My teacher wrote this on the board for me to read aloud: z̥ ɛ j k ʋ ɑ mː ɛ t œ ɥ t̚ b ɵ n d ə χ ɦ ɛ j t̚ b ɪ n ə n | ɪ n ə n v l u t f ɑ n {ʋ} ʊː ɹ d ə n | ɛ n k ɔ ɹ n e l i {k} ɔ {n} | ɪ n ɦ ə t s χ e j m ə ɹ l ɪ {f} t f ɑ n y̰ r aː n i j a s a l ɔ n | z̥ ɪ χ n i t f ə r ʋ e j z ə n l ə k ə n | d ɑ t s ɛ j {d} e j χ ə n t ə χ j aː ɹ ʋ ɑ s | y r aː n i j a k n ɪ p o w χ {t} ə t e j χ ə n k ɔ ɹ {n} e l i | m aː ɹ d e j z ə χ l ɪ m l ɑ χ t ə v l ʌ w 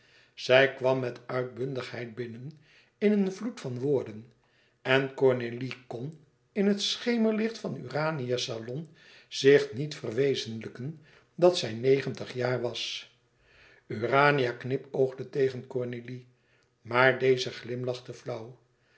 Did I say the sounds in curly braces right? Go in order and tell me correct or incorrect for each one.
correct, correct, correct, incorrect: χ, incorrect: n, incorrect: d, correct

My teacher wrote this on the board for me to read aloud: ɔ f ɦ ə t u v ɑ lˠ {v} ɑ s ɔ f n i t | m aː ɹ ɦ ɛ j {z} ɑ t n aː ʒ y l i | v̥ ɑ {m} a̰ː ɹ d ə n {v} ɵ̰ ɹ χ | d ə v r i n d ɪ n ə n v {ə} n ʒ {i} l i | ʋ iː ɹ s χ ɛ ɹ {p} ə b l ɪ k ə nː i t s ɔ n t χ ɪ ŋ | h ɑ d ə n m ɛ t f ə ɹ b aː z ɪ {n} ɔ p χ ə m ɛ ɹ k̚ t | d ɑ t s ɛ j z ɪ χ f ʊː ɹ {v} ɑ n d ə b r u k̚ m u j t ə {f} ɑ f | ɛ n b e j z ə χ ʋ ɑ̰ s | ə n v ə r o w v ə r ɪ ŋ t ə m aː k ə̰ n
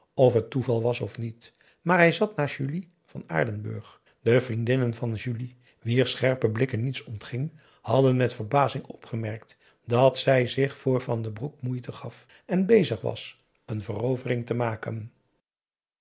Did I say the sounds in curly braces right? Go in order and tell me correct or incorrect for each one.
incorrect: ʋ, correct, incorrect: n, incorrect: b, incorrect: ɑ, incorrect: y, correct, incorrect: ŋ, correct, incorrect: χ

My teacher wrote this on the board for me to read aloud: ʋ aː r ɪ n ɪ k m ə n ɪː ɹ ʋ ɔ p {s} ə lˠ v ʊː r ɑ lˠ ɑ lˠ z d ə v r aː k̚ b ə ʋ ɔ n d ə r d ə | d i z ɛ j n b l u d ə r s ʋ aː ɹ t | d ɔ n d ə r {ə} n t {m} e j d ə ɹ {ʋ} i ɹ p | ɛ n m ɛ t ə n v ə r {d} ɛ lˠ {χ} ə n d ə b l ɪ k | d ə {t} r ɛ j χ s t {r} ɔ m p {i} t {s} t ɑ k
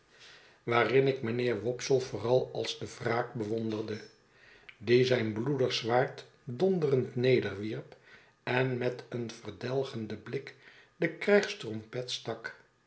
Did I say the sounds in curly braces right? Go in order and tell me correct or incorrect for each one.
correct, correct, incorrect: n, correct, correct, correct, incorrect: k, correct, incorrect: ɛ, correct

